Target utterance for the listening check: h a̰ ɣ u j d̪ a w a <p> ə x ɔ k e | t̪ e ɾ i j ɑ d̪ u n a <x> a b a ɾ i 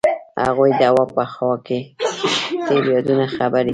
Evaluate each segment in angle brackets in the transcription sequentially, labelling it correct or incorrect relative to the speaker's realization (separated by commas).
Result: correct, correct